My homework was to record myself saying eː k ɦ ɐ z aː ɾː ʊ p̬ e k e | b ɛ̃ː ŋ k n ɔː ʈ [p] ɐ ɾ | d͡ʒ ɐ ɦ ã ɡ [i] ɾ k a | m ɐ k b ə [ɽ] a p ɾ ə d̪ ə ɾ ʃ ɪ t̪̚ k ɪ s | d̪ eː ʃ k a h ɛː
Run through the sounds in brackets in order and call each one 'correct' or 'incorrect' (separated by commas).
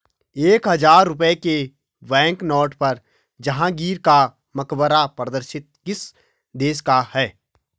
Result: correct, incorrect, incorrect